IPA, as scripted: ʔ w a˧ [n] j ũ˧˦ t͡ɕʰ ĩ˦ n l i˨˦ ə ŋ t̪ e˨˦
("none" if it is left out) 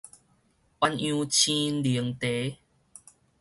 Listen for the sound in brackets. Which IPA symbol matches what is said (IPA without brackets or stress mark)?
n